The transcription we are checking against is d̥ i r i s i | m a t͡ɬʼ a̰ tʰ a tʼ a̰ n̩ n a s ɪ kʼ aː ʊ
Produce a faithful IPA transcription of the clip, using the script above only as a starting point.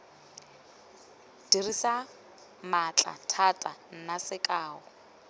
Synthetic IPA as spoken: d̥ i r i s a | m a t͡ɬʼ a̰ tʰ a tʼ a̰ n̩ n a s ɪ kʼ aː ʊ